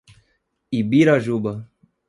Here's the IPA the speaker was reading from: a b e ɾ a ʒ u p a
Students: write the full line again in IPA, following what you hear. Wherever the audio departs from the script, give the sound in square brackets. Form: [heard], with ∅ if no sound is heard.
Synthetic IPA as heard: [i] b [i] ɾ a ʒ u [b] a